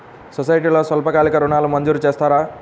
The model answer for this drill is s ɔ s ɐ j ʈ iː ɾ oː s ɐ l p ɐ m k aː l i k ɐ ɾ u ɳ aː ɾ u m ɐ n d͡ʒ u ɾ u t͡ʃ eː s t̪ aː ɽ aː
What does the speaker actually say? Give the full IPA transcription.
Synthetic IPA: s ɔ s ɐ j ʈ iː l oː s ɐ l p ɐ k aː l i k ɐ ɾ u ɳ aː l u m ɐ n d͡ʒ u ɾ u t͡ʃ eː s t̪ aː ɾ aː